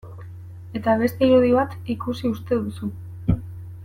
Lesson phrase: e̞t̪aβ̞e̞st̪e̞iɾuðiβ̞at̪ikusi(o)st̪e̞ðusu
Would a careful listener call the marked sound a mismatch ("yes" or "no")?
yes